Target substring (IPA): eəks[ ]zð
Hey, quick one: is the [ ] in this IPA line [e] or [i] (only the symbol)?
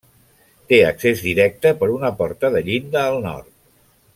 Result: e